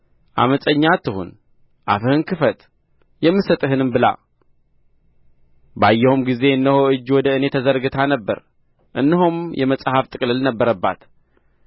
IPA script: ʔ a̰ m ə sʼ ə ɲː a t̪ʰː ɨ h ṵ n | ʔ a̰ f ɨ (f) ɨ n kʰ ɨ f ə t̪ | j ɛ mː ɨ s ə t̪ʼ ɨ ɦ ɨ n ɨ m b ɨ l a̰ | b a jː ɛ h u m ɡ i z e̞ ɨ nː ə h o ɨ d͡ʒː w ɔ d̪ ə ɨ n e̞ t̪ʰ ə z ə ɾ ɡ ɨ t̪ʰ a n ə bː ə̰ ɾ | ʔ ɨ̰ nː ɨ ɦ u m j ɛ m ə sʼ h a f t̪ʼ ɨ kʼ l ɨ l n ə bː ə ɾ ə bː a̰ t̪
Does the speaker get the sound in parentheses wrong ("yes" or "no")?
yes